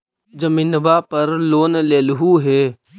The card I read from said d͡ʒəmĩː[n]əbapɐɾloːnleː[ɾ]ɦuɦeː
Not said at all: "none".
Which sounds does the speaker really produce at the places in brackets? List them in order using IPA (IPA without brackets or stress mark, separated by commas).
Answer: n, l